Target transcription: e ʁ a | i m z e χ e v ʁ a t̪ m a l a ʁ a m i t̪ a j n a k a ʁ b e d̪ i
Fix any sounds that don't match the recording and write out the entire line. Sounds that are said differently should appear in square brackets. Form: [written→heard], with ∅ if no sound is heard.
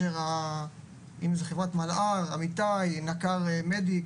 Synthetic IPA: e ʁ a | i m z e χ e v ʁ a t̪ m a l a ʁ a m i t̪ a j n a k a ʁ [b→m] e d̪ i